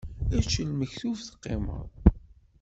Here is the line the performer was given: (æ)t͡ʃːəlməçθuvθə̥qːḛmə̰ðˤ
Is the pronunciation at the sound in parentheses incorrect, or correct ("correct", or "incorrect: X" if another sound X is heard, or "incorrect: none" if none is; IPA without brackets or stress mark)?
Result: correct